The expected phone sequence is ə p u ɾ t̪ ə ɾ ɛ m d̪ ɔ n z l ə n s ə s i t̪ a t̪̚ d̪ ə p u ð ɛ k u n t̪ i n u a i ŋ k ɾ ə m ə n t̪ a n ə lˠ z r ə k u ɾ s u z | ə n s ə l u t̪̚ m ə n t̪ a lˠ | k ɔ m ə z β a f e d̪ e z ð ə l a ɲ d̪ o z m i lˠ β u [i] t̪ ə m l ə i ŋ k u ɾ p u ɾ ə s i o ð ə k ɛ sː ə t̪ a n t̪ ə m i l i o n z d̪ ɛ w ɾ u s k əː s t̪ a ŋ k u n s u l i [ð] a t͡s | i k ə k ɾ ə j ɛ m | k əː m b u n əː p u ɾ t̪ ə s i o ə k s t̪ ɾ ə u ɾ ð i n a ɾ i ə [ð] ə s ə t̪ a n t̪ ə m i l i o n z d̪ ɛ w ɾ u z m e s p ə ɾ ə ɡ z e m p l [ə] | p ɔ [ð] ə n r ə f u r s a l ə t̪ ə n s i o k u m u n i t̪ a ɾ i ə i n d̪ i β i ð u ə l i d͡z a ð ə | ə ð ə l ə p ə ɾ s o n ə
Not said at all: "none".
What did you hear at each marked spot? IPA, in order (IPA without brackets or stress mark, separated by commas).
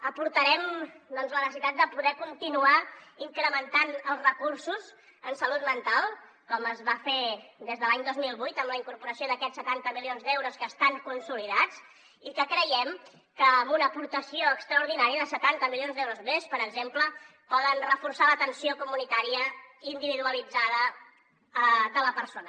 j, ð, ð, ə, ð